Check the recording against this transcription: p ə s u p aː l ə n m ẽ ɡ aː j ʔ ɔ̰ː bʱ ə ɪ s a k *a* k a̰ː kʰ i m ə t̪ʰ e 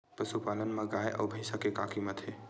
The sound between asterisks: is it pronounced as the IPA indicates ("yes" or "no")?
no